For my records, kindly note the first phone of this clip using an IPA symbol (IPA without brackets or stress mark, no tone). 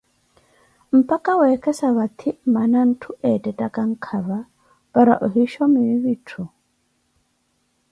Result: m̩